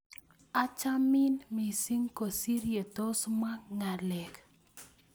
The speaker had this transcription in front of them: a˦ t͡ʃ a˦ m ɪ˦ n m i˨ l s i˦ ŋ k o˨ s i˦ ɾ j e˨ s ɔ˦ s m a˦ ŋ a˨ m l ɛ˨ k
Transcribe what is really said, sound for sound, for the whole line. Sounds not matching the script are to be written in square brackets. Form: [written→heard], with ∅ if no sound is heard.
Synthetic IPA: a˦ t͡ʃ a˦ m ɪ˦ n m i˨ [l→∅] s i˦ ŋ k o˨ s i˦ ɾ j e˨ [s→t] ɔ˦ s m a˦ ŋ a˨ [m→∅] l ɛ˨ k

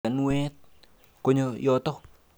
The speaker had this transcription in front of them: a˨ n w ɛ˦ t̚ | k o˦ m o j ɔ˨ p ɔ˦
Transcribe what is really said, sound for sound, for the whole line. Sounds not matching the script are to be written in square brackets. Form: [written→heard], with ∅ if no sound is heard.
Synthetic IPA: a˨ n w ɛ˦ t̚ | k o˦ [m→ɲ] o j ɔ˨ [p→t] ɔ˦

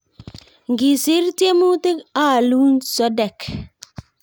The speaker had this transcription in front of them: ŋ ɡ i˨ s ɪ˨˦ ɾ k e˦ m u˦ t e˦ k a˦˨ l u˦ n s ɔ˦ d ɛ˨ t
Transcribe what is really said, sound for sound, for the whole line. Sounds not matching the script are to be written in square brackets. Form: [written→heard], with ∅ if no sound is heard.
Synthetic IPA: ŋ ɡ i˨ s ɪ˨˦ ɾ [k→t] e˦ m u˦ t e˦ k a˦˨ l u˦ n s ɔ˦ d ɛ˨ [t→k]

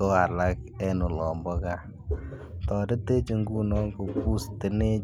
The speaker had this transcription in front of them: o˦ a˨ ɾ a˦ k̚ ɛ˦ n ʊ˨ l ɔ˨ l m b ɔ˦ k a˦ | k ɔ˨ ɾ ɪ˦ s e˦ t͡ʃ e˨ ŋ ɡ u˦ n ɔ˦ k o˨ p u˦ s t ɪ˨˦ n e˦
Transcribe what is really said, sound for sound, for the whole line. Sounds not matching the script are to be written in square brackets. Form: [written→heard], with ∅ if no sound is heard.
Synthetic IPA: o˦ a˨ [ɾ→l] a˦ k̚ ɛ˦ n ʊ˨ l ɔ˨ [l→∅] m b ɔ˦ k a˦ | [k→t] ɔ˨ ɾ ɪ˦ [s→t] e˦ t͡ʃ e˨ ŋ ɡ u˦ n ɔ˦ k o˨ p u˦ s t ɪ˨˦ n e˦

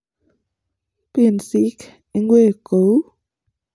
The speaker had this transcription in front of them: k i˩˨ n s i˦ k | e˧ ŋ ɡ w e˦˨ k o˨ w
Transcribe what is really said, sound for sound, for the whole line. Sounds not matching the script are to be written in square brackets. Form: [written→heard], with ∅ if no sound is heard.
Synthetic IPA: [k→p] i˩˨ n s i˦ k | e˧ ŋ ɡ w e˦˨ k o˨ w

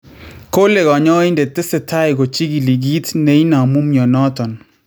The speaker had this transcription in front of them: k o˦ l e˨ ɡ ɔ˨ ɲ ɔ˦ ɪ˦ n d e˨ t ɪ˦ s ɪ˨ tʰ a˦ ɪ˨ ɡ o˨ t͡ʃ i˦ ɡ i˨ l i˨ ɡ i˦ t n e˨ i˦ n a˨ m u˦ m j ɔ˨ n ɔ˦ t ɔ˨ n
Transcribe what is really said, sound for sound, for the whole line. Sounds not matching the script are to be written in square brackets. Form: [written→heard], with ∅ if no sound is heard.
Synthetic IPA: k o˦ l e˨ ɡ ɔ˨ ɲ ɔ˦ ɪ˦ n d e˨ t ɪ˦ s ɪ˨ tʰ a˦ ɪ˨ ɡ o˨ t͡ʃ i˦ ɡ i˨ l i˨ ɡ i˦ t n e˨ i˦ n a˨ m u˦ m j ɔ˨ n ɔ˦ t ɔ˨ n

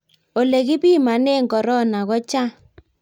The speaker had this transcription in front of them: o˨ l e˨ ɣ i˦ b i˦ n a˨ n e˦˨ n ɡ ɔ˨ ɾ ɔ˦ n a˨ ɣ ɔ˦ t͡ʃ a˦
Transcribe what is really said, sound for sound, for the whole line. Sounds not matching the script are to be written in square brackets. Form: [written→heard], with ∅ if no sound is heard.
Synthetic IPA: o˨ l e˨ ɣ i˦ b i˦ [n→m] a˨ n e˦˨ [n→ŋ] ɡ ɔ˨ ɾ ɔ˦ n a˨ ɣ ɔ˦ t͡ʃ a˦

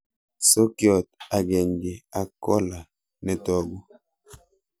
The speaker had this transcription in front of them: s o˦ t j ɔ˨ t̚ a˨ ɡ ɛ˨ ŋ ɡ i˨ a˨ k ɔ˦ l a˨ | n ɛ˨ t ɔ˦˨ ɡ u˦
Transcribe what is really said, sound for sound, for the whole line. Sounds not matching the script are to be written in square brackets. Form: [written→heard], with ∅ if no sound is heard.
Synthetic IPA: s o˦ [t→k] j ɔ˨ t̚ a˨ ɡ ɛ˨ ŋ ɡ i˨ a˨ k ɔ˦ l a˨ | n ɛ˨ t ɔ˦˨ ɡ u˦

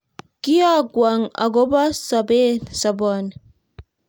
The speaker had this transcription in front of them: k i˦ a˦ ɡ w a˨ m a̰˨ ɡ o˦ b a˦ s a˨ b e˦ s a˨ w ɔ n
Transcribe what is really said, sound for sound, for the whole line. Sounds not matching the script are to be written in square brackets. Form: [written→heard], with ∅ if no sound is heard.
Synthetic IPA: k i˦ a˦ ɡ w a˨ [m→ŋ] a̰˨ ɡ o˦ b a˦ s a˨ b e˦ s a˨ [w→b] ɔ n

